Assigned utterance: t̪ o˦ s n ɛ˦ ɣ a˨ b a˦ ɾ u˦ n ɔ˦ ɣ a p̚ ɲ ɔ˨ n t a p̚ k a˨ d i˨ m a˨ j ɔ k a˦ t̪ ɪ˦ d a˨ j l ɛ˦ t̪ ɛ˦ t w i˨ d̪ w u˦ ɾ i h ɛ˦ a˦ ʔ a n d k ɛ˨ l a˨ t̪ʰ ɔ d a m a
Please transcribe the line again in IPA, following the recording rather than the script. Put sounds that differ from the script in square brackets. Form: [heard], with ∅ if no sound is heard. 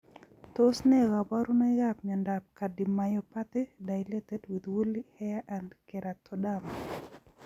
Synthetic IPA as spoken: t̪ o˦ s n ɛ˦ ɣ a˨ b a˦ ɾ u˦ n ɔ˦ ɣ a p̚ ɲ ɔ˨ n [d] a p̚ k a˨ d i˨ m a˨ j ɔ [p] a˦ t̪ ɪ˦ d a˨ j l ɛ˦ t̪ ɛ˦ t w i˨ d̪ w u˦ [l] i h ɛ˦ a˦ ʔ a n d k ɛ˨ [ɾ] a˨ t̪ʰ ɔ d a m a